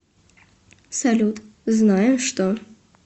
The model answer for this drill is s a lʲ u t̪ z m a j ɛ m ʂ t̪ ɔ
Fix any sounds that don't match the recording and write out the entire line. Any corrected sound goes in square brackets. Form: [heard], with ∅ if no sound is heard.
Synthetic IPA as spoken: s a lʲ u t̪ z [n] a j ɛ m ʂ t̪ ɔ